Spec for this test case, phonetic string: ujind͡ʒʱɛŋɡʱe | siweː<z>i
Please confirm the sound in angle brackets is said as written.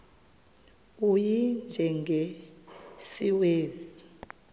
yes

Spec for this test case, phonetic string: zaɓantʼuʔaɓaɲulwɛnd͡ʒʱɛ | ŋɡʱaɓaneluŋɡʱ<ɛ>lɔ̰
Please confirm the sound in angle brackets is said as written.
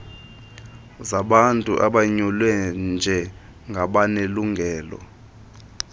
no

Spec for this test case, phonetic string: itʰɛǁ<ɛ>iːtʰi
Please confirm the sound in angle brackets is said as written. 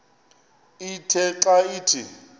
no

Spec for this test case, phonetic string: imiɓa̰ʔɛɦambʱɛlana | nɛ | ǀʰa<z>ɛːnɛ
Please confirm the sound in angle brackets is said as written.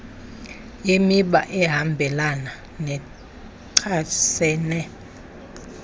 no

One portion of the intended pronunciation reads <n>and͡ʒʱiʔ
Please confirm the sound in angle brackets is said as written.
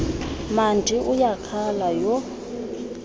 no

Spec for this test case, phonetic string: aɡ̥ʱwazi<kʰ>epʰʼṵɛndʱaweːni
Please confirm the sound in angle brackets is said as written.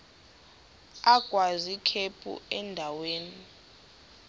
yes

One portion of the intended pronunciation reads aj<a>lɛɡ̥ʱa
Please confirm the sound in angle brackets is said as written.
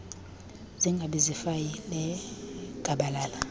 no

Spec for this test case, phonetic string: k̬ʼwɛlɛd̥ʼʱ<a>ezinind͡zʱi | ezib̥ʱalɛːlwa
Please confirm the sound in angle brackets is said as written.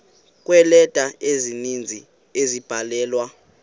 yes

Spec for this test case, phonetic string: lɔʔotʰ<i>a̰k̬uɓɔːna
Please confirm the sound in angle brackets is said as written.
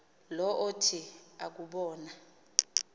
yes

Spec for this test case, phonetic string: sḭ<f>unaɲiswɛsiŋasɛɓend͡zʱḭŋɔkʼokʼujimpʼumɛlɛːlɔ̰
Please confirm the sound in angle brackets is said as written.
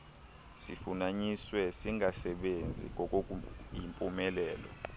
yes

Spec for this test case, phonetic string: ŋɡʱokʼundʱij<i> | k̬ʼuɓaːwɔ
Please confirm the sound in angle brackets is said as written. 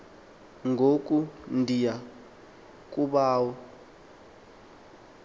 no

